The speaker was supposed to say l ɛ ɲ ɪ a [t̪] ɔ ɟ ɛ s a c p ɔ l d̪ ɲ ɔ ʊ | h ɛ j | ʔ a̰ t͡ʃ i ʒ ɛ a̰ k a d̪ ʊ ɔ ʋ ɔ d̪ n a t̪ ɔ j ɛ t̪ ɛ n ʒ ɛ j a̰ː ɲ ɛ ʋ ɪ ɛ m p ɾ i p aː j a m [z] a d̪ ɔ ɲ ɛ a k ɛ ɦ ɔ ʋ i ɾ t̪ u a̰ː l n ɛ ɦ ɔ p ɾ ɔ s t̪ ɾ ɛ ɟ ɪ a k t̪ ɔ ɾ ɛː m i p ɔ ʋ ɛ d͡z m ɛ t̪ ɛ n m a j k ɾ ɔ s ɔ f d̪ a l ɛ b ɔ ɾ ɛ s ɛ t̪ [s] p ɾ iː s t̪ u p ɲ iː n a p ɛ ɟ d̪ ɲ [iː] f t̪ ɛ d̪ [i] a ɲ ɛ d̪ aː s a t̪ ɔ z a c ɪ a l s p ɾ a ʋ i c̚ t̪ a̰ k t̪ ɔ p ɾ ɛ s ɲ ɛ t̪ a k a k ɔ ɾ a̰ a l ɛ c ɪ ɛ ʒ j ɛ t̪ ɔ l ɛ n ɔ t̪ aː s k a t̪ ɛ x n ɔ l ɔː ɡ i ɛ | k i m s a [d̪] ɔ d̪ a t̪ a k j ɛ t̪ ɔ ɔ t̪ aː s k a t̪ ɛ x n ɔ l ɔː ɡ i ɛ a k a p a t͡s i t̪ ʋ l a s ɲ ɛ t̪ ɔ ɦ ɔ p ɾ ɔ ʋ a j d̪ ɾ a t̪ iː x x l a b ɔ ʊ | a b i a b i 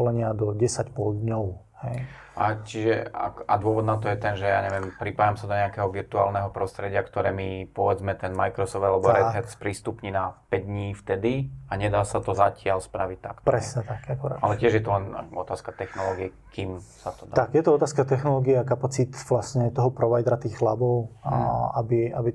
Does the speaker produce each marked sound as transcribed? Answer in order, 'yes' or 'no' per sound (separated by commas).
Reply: no, no, yes, yes, yes, no